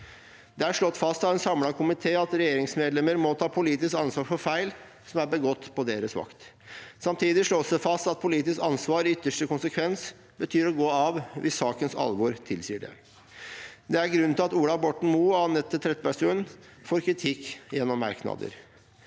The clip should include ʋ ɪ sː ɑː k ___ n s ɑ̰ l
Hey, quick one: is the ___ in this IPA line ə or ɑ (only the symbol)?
ə